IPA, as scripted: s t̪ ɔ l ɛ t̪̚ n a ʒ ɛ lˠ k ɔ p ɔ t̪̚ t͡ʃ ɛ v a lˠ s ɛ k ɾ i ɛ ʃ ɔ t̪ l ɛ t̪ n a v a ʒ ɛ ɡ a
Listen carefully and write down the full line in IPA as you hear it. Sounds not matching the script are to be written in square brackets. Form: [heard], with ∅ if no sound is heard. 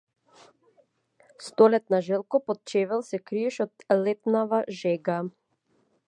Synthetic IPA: s t̪ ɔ l ɛ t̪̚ n a ʒ ɛ lˠ k ɔ p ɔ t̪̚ t͡ʃ ɛ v [ɛ] lˠ s ɛ k ɾ i ɛ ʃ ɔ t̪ l ɛ t̪ n a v a ʒ ɛ ɡ a